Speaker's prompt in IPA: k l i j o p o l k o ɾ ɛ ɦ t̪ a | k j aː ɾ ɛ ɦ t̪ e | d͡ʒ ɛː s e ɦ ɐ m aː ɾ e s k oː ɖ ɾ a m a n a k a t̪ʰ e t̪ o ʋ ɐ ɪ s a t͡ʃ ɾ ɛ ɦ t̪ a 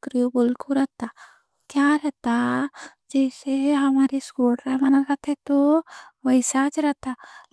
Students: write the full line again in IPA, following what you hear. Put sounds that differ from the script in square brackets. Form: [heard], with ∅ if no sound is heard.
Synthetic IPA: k [ɾ] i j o [b] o l k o ɾ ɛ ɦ t̪ a | k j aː ɾ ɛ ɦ t̪ [a] | d͡ʒ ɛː s e ɦ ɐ m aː ɾ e s k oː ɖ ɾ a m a n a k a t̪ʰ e t̪ o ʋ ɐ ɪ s a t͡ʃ ɾ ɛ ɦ t̪ a

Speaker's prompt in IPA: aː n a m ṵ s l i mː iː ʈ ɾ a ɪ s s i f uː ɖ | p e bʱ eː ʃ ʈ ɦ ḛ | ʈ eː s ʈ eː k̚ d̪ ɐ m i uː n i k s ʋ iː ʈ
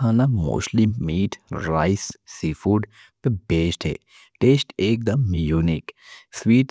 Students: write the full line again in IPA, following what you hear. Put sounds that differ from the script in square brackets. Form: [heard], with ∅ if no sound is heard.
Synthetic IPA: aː n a m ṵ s l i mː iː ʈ ɾ a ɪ s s i f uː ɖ | p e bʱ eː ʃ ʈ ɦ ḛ | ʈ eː s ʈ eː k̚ d̪ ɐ m [j] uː n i k s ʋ iː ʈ

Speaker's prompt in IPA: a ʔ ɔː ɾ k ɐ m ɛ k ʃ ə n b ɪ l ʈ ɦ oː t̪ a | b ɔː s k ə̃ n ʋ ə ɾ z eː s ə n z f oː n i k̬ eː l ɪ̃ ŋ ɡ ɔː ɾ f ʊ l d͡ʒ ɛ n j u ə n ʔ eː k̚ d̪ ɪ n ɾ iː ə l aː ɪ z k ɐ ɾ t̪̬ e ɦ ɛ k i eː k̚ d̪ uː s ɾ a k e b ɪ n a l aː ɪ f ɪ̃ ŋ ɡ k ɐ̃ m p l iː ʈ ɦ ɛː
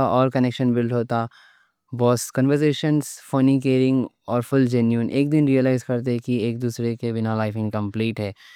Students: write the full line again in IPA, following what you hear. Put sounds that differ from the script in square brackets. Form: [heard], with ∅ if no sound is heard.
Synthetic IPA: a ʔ ɔː ɾ k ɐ [n] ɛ k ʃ ə n b ɪ l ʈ ɦ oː t̪ a | b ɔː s k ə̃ n ʋ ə ɾ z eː [ʃ] ə n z f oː n i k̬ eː [ɾ] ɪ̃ ŋ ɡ ɔː ɾ f ʊ l d͡ʒ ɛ n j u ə n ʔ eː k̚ d̪ ɪ n ɾ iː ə l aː ɪ z k ɐ ɾ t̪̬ e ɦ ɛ k i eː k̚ d̪ uː s ɾ [e] k e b ɪ n a l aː ɪ f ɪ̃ ŋ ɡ k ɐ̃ m p l iː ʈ ɦ ɛː

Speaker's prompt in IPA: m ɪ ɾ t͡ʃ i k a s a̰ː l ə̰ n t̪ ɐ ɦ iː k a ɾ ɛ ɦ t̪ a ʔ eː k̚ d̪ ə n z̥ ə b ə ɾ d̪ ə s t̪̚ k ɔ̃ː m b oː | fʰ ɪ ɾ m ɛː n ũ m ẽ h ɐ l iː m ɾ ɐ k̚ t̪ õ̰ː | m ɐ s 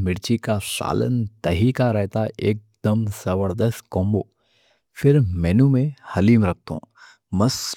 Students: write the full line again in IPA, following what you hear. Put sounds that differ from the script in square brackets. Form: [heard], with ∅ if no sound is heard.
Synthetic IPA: m ɪ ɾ t͡ʃ i k a s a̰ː l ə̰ n t̪ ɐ ɦ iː k a ɾ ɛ ɦ t̪ a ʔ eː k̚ d̪ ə [m] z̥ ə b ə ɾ d̪ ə s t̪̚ k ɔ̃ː m b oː | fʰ ɪ ɾ m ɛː n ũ m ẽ h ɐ l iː m ɾ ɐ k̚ t̪ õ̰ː | m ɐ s

